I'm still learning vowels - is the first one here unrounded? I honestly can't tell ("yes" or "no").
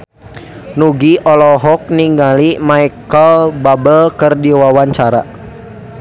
no